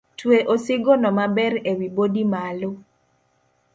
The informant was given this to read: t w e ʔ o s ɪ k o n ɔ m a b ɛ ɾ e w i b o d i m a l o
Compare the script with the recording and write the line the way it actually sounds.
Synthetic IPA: t w e ʔ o s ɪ ɡ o n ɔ m a b ɛ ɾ e w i b o d i m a l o